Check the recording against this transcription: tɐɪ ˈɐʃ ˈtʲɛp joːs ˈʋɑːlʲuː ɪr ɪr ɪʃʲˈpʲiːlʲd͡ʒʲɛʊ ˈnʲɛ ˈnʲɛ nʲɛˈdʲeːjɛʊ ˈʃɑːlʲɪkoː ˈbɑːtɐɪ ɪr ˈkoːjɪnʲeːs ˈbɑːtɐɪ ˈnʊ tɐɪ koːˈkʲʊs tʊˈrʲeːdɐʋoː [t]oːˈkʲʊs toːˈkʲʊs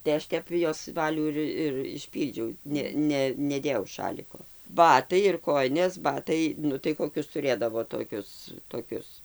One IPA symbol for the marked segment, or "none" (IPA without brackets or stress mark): t